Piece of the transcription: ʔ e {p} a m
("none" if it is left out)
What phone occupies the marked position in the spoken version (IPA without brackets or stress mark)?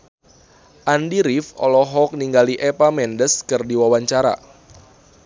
p